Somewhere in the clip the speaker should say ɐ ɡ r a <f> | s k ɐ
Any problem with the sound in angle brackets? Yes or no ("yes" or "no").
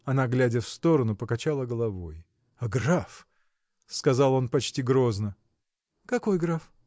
no